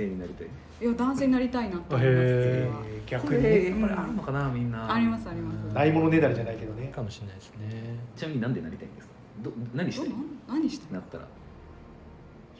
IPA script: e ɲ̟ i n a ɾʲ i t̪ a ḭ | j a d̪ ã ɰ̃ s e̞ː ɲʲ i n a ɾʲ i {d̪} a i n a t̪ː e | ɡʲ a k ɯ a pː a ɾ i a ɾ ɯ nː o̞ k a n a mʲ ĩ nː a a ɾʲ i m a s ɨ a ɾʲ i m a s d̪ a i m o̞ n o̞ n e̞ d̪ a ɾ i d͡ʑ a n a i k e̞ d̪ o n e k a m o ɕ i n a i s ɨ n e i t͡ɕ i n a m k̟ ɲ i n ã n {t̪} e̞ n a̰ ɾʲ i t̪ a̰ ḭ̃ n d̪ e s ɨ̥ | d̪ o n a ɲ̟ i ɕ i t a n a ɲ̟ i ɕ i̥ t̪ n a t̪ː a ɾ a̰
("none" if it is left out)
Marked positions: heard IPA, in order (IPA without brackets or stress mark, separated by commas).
t̪, d̪